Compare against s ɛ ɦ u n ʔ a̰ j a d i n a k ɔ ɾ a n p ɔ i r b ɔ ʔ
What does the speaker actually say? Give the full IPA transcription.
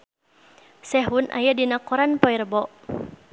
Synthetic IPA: s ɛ ɦ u n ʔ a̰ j a d i n a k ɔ ɾ a n p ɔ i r b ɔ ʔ